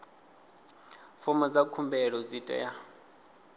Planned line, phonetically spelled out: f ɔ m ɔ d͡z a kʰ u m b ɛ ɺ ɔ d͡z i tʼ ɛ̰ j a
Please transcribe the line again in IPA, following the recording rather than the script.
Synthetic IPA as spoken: f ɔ m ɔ d͡z a kʰ u m b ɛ ɺ ɔ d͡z i tʼ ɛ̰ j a